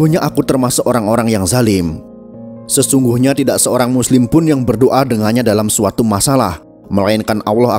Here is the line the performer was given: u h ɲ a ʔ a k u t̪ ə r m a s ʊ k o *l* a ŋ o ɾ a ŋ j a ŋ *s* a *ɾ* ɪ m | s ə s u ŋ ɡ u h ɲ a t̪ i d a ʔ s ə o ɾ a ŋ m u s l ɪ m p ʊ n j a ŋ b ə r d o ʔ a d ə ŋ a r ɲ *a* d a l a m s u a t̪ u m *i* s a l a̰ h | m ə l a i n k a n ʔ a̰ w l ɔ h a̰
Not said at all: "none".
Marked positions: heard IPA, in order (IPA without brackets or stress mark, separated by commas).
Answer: ɾ, z, l, a, a